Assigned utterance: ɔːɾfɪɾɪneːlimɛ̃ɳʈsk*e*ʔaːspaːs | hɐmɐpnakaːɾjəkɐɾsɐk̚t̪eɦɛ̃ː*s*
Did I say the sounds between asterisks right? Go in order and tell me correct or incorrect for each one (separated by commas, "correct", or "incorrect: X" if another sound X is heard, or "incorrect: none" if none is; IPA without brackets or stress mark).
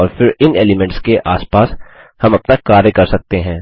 correct, incorrect: none